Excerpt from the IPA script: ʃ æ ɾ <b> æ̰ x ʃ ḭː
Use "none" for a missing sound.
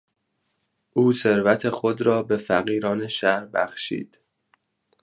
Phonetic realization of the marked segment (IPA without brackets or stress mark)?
b